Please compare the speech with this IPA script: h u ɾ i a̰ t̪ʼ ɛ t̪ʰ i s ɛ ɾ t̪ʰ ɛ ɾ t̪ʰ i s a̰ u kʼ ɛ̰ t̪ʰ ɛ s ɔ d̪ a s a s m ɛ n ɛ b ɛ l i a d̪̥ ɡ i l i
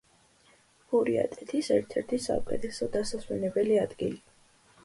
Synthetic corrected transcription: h u ɾ i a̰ t̪ʼ ɛ t̪ʰ i s ɛ ɾ t̪ʰ ɛ ɾ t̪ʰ i s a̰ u kʼ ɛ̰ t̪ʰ ɛ s ɔ d̪ a s a s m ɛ n ɛ b ɛ l i a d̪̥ ɡ i l i